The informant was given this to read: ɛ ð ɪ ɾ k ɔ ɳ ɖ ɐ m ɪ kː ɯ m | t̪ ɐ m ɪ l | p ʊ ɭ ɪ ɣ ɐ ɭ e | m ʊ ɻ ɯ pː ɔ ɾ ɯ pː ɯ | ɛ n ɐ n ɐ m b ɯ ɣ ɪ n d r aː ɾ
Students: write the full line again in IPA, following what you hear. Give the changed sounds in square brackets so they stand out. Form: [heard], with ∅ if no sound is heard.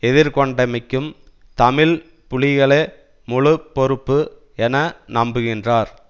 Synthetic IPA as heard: ɛ ð ɪ ɾ k ɔ ɳ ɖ ɐ m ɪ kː ɯ m | t̪ ɐ m ɪ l | p ʊ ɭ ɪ ɣ ɐ ɭ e | m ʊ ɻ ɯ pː ɔ ɾ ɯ pː ɯ | ɛ n ɐ n ɐ m b ɯ ɣ ɪ n d r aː ɾ